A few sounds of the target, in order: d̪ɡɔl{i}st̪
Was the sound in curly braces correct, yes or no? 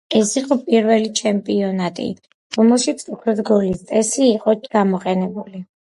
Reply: yes